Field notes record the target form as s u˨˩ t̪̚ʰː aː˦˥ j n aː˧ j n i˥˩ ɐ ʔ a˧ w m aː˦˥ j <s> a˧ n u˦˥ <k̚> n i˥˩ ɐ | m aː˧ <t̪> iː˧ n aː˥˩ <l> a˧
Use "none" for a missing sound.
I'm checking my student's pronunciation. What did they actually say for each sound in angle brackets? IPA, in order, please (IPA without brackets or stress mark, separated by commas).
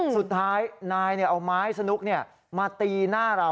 s, k̚, t̪, ɾ